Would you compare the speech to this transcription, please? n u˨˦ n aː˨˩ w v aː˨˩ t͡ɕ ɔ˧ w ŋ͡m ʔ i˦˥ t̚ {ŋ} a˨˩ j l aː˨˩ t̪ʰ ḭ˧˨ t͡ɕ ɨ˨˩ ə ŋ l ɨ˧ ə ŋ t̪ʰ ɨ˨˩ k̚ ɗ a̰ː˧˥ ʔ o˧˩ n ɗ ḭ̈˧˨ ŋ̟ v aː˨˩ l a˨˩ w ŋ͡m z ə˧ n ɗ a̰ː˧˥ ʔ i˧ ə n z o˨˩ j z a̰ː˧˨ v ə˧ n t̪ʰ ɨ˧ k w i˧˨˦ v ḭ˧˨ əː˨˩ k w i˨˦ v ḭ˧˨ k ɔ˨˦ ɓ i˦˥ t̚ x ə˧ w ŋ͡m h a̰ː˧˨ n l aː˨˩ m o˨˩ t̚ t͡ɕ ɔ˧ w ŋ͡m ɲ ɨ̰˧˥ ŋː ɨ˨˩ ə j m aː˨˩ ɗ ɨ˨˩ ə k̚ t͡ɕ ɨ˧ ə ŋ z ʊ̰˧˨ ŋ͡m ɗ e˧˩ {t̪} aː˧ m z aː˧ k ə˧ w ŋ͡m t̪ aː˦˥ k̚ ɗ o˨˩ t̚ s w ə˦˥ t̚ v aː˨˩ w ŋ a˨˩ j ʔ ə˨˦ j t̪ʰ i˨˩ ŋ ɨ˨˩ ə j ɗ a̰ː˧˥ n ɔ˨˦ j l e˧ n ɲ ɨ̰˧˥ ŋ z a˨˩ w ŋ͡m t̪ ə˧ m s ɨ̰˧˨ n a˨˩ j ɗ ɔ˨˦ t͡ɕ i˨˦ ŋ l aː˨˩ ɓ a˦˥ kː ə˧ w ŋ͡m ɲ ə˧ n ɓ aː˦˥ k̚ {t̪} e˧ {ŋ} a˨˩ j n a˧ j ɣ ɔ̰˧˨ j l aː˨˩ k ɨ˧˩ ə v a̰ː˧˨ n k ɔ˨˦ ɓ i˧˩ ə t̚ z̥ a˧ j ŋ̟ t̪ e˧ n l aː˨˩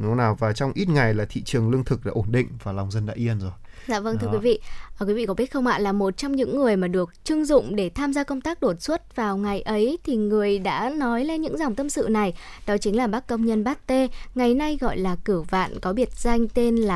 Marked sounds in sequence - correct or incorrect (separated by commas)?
correct, incorrect, correct, correct